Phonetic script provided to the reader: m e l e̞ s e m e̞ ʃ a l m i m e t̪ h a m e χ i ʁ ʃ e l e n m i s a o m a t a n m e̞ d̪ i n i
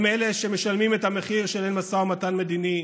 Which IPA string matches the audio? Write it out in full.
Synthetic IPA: m e l e̞ ʃ e m e̞ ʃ a l m i m e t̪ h a m e χ i ʁ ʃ e l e n m a s a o m a t a n m e̞ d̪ i n i